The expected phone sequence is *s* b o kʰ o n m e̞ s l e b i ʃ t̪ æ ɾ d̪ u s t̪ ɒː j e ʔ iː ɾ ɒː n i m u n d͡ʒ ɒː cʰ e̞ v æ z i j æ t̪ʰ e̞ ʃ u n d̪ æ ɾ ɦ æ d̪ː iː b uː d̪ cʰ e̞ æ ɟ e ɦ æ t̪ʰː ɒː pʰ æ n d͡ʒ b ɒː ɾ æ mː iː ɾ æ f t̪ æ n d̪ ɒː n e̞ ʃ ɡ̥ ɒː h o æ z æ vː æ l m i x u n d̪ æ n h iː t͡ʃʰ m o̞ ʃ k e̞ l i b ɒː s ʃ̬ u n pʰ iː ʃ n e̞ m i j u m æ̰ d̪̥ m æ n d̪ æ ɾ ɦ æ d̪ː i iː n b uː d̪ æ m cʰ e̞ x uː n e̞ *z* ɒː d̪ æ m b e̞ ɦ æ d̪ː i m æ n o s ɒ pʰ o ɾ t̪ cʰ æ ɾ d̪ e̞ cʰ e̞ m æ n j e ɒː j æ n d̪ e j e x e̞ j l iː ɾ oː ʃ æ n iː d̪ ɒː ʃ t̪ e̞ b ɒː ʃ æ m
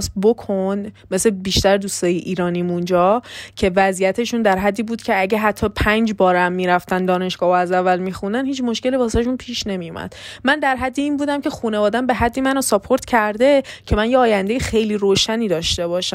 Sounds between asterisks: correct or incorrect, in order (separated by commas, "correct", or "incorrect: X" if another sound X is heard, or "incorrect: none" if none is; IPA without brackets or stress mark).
correct, incorrect: v